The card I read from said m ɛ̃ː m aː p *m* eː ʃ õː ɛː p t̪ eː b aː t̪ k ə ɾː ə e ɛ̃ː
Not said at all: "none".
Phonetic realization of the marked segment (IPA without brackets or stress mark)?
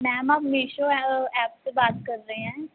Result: m